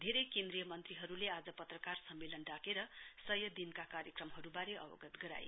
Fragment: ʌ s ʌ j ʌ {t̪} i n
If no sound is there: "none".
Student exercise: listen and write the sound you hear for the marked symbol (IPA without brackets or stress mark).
d̪